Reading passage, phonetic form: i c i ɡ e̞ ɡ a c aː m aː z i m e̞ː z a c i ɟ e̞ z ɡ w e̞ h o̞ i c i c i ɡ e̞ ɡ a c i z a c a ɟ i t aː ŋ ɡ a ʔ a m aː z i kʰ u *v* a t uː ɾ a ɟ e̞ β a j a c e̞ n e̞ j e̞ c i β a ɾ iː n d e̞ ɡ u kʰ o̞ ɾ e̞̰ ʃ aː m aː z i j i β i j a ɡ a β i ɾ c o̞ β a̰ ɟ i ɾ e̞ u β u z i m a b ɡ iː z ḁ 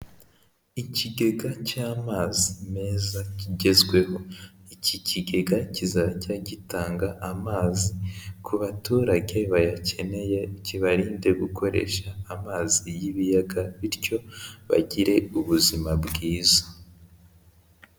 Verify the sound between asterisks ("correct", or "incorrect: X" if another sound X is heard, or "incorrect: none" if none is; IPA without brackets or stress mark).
incorrect: β